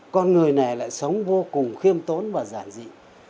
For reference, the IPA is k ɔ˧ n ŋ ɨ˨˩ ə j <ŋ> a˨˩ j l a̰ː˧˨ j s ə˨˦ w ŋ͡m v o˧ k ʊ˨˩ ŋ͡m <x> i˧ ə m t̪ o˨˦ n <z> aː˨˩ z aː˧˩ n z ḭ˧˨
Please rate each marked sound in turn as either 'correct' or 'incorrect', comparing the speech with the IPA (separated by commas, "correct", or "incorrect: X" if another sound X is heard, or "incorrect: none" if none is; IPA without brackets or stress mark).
incorrect: n, correct, incorrect: v